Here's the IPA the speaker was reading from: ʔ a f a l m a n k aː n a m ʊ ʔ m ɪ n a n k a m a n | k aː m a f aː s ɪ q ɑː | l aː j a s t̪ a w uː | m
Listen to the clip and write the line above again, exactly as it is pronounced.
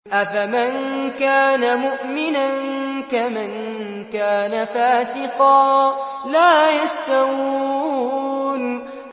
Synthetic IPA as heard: ʔ a f a m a n k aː n a m ʊ ʔ m ɪ n a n k a m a n | k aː n a f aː s ɪ q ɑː | l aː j a s t̪ a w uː | n